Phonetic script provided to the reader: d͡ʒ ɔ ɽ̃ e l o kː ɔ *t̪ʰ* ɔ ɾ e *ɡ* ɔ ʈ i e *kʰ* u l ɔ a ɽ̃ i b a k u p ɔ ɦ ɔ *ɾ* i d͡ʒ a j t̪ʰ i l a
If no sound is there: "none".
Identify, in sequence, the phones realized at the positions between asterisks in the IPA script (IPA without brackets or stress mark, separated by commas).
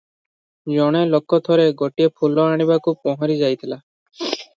t̪ʰ, ɡ, pʰ, ɾ